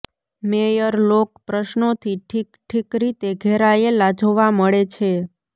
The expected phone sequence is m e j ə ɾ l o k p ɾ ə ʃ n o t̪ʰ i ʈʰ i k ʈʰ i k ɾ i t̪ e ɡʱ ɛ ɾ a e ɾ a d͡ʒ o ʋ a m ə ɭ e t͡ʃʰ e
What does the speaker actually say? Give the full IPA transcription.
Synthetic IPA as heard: m e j ə ɾ l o k p ɾ ə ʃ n o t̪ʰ i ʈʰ i k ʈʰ i k ɾ i t̪ e ɡʱ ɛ ɾ a e l a d͡ʒ o ʋ a m ə ɭ e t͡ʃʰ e